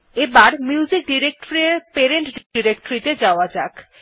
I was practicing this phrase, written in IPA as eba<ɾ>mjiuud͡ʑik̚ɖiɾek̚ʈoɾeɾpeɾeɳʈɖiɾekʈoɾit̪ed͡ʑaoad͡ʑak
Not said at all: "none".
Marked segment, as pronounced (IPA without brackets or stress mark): ɾ